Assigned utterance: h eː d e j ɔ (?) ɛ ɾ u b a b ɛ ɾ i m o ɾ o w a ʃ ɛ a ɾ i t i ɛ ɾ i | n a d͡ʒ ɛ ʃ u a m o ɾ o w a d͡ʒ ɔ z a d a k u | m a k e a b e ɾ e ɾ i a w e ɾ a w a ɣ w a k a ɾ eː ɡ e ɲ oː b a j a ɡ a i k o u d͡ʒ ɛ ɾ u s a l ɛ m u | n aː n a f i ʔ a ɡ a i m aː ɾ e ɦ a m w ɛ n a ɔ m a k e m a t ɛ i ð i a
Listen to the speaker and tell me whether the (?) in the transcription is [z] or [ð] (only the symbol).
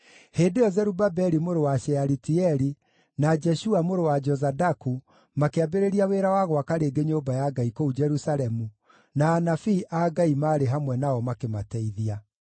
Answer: z